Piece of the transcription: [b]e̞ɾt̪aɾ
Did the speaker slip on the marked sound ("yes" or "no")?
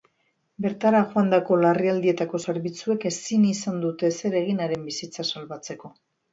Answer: no